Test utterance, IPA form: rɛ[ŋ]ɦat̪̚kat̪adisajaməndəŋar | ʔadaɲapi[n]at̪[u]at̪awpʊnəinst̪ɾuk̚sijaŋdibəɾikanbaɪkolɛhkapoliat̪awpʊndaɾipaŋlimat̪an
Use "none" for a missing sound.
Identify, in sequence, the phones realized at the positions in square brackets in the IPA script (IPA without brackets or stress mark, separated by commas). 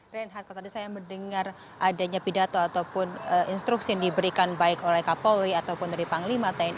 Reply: n, d, o